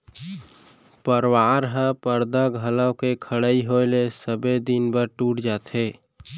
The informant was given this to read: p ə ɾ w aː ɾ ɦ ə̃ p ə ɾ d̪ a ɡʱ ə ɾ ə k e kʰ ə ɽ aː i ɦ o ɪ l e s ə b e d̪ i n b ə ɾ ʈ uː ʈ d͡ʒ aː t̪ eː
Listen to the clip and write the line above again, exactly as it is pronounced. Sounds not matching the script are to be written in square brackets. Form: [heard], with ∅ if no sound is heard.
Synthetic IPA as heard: p ə ɾ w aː ɾ ɦ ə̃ p ə ɾ d̪ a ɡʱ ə [l] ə k e kʰ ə ɽ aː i ɦ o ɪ l e s ə b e d̪ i n b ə ɾ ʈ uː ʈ d͡ʒ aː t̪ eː

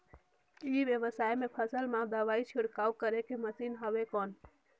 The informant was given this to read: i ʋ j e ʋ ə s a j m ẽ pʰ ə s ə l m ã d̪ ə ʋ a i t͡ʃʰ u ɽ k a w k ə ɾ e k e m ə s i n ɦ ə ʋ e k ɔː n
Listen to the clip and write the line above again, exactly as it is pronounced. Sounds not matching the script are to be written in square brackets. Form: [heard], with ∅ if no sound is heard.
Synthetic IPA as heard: i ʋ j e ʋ ə s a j m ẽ pʰ ə s ə l m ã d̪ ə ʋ a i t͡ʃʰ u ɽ k a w k ə ɾ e k e m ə s i n ɦ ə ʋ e k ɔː n

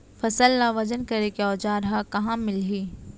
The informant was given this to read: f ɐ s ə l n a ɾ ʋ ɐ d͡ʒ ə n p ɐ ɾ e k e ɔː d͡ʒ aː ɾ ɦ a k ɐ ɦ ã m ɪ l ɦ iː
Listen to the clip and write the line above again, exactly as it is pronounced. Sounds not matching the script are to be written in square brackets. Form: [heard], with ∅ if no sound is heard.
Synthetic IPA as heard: f ɐ s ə l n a [∅] ʋ ɐ d͡ʒ ə n [k] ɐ ɾ e k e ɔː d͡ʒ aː ɾ ɦ a k ɐ ɦ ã m ɪ l ɦ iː

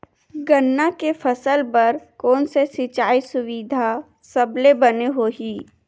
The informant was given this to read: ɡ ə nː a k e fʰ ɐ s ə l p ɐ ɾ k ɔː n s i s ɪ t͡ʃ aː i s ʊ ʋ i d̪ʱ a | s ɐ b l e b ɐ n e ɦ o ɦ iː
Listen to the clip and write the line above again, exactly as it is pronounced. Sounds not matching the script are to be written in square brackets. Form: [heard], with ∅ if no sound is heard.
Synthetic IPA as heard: ɡ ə nː a k e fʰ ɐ s ə l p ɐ ɾ k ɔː n s [e] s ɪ t͡ʃ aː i s ʊ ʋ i d̪ʱ a | s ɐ b l e b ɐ n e ɦ o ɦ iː

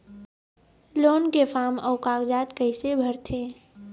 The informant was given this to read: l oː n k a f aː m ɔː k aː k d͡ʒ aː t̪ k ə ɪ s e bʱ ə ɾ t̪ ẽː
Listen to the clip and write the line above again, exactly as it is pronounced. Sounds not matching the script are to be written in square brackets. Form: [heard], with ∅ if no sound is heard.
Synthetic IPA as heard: l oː n k [e] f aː m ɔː k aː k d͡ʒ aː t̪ k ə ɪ s e bʱ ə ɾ [t̪ʰ] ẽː

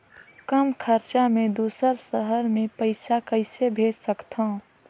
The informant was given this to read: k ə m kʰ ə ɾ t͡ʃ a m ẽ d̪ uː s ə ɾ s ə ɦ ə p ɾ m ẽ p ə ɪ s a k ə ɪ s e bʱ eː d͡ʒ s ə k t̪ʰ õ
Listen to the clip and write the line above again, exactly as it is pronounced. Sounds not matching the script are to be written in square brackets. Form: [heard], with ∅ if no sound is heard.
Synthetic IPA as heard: k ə m kʰ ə ɾ t͡ʃ a m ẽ d̪ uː s ə ɾ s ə ɦ ə [∅] ɾ m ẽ p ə ɪ s a k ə ɪ s e bʱ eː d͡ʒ s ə k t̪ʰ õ

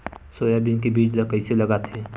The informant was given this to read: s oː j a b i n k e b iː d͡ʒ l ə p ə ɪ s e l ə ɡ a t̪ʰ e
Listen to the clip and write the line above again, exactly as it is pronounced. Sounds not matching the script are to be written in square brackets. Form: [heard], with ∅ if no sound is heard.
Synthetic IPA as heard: s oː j a b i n k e b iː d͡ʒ l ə [k] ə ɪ s e l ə ɡ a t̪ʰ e

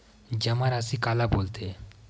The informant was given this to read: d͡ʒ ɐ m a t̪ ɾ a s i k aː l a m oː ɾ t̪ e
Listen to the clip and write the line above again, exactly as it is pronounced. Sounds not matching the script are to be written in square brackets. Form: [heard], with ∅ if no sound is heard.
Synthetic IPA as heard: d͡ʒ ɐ m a [∅] ɾ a s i k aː l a [b] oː [l] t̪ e

